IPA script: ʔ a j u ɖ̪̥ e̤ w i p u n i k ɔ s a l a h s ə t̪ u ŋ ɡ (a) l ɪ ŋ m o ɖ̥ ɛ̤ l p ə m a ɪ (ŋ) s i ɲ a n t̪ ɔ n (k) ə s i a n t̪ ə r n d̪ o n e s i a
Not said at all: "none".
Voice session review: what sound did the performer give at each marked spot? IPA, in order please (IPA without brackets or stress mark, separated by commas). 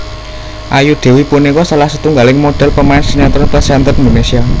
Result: a, n, p